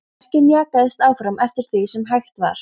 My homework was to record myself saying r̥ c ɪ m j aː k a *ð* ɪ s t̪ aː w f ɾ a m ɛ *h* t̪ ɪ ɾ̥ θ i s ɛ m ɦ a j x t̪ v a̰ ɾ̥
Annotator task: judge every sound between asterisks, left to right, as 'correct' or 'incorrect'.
correct, incorrect: f

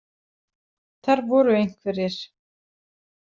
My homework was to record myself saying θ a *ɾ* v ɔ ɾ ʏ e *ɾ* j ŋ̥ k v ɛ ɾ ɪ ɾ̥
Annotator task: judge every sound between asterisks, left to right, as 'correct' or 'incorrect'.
correct, incorrect: none

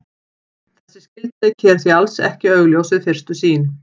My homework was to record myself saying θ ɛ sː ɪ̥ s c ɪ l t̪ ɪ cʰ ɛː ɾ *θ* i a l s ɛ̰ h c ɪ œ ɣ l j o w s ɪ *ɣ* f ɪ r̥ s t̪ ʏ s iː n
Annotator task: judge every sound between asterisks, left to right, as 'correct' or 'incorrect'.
correct, incorrect: ð

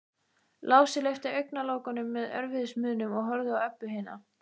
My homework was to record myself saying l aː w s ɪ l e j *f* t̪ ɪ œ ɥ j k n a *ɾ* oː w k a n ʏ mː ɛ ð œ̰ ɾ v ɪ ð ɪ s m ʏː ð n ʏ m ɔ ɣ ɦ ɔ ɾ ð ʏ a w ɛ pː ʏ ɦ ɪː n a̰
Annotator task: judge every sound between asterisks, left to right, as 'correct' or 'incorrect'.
correct, incorrect: l

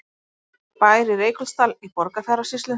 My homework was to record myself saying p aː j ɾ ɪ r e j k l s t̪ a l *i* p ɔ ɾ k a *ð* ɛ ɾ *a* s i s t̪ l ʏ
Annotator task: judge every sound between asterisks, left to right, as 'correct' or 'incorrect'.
correct, incorrect: θ, correct

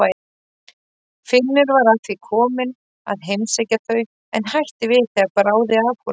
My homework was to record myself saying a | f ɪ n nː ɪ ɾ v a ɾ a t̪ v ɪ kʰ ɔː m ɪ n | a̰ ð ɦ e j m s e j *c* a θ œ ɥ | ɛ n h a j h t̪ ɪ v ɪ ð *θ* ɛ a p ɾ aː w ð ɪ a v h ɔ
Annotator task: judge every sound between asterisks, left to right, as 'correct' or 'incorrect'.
correct, correct

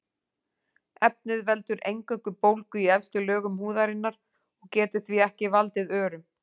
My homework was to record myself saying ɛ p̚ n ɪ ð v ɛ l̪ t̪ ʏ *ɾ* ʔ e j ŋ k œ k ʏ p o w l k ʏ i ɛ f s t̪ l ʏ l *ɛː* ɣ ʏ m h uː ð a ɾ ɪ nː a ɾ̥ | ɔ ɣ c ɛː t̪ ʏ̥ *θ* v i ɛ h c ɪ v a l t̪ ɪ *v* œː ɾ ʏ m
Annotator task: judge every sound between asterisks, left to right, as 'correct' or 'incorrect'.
correct, incorrect: œː, correct, incorrect: ð

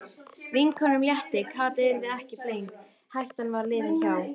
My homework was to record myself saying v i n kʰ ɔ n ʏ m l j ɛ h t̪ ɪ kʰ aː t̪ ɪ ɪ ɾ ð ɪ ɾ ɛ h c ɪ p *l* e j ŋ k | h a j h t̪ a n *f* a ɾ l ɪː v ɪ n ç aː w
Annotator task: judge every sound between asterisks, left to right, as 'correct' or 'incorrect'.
correct, incorrect: v

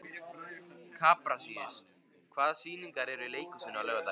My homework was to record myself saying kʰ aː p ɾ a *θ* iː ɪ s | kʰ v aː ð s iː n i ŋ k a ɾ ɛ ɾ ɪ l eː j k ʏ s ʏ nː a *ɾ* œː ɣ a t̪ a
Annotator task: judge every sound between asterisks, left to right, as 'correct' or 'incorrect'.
incorrect: s, incorrect: l

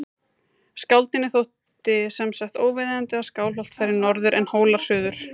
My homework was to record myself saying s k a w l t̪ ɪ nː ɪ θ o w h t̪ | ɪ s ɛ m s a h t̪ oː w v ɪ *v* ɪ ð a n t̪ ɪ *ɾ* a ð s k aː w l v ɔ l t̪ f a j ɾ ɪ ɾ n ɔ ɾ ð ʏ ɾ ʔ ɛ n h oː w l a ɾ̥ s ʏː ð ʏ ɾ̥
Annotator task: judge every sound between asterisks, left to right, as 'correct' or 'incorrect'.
incorrect: ð, incorrect: none

